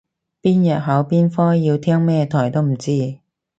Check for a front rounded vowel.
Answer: absent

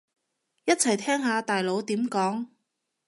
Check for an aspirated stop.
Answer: present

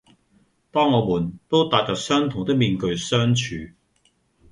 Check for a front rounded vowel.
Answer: present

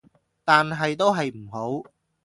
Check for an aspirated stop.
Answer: absent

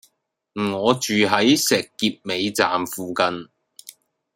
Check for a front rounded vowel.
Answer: present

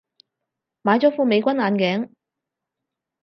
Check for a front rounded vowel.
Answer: absent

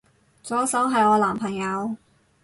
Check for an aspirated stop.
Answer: present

